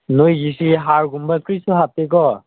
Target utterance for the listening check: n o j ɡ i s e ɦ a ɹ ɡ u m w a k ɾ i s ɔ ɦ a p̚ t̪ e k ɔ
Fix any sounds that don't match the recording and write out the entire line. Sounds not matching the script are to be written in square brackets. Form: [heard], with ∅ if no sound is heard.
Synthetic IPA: n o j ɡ i s [i] ɦ a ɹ ɡ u m [b] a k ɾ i s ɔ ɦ a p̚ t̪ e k ɔ